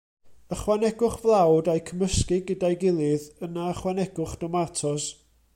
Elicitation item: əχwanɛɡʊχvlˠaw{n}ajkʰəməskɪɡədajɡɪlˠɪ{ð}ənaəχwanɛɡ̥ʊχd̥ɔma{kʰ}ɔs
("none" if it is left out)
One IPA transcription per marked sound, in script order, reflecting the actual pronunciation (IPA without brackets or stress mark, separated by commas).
d, ð, tʰ